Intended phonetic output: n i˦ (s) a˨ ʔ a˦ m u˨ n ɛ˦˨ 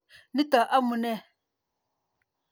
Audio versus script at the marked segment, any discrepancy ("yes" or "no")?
yes